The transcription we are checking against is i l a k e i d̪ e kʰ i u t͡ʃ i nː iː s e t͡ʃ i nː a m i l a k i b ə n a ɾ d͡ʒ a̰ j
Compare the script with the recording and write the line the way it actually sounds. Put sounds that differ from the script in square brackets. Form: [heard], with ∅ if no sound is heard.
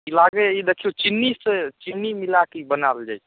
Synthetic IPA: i l a [ɡ] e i d̪ e kʰ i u t͡ʃ i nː [i] s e t͡ʃ i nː [i] m i l a k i b ə n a [l] d͡ʒ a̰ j